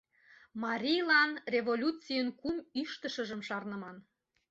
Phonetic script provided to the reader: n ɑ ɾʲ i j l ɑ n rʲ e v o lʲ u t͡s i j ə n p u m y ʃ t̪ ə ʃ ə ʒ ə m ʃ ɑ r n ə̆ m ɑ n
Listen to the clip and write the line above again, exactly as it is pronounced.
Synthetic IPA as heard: m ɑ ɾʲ i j l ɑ n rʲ e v o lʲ u t͡s i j ə n k u m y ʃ t̪ ə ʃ ə ʒ ə m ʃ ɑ r n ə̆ m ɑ n